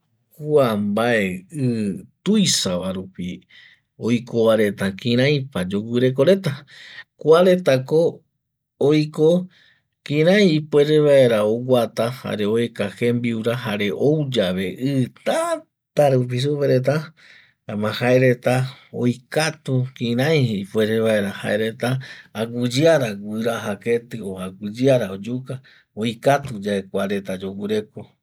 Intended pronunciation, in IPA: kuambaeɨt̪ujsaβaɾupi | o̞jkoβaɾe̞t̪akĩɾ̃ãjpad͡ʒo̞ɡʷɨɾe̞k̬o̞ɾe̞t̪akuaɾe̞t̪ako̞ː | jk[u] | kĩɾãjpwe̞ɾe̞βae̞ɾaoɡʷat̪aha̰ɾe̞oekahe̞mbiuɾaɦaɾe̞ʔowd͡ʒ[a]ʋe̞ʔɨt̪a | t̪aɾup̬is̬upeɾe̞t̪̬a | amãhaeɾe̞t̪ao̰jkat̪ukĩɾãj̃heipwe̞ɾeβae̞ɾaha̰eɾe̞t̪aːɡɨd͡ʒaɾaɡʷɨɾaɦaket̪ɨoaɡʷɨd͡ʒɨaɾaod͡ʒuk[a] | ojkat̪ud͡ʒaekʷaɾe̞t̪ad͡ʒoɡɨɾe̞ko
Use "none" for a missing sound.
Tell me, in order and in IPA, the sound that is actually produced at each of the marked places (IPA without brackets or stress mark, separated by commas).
o, a, a